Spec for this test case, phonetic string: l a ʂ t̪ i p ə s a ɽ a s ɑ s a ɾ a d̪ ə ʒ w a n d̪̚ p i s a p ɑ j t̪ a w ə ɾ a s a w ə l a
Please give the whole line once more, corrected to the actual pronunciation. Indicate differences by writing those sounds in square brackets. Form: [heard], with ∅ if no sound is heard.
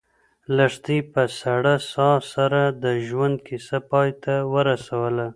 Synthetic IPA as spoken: l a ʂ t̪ i p ə s a ɽ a s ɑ s a ɾ a d̪ ə ʒ w a n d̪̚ [k] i s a p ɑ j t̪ a w ə ɾ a s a w ə l a